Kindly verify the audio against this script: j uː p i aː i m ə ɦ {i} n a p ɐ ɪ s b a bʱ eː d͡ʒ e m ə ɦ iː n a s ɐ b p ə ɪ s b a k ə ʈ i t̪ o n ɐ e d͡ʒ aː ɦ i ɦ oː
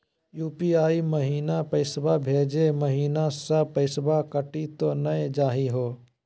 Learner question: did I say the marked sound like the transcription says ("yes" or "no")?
no